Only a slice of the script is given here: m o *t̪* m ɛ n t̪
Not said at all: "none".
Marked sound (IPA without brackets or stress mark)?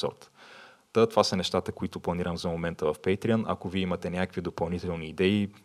none